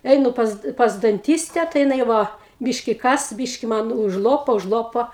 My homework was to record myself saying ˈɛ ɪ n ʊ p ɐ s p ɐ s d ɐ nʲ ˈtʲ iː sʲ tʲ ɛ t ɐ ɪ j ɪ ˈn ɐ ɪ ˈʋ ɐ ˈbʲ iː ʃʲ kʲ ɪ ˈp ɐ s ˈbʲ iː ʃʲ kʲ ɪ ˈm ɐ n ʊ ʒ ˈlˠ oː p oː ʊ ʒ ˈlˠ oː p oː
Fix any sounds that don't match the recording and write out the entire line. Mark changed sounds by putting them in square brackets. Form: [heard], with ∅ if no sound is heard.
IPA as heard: ˈɛ ɪ n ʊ p ɐ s p ɐ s d ɐ nʲ ˈtʲ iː sʲ tʲ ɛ t ɐ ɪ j ɪ ˈn ɐ ɪ ˈʋ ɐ ˈbʲ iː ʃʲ kʲ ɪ [ˈk] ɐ s ˈbʲ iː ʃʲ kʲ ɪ ˈm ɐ n ʊ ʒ ˈlˠ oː p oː ʊ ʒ ˈlˠ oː p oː